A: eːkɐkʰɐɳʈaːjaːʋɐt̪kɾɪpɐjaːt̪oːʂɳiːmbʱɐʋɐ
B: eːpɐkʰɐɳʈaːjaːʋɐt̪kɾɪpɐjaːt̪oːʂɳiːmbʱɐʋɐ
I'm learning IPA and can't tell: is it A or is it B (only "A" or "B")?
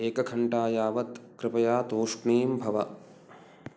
A